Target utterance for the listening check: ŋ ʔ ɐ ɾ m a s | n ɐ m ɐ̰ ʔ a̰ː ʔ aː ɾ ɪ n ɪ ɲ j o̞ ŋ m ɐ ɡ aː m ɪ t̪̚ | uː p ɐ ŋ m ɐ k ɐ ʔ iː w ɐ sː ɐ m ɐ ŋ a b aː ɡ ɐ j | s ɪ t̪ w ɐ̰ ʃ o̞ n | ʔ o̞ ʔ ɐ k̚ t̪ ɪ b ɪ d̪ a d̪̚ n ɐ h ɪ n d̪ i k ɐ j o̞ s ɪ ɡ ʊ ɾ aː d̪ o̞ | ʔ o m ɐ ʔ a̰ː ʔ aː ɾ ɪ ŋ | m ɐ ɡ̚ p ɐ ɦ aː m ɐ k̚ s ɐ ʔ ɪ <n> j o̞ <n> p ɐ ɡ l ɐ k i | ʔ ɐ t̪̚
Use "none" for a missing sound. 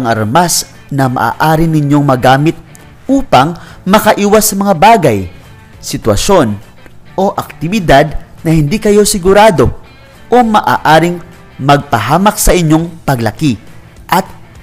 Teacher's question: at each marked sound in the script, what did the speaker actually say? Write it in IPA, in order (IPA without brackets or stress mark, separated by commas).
ɲ, ŋ